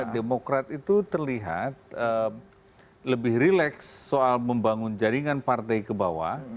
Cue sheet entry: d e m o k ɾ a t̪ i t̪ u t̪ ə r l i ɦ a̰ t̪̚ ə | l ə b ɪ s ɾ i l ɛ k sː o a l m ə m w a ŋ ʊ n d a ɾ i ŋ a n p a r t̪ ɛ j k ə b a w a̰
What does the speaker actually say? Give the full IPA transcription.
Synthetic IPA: d e m o k ɾ a t̪ i t̪ u t̪ ə r l i ɦ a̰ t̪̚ ə | l ə b ɪ h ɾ i l ɛ k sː o a l m ə m b a ŋ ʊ n d͡ʒ a ɾ i ŋ a n p a r t̪ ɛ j k ə b a w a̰